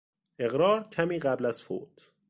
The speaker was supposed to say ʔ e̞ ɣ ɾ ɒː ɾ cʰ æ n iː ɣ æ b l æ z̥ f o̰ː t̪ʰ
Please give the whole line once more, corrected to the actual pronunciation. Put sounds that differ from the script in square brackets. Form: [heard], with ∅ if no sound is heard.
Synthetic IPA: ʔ e̞ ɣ ɾ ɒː ɾ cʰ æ [m] iː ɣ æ b l æ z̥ f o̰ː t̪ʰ